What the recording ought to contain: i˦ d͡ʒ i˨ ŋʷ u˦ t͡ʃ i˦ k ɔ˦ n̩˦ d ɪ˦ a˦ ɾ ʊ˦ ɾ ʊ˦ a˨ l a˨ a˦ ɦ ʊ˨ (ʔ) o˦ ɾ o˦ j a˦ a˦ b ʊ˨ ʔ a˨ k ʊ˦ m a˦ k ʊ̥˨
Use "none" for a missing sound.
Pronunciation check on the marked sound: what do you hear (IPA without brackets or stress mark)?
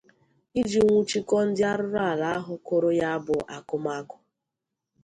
k